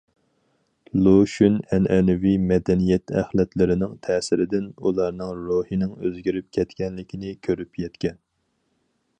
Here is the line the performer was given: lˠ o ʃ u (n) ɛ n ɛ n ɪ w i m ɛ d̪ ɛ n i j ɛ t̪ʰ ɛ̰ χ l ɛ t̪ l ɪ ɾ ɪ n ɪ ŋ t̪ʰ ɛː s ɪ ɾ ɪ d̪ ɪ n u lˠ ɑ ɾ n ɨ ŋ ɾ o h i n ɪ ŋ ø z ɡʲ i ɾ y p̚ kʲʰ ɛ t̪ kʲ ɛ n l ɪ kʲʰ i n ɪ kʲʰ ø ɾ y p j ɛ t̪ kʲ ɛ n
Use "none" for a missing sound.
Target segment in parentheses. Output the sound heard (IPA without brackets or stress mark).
n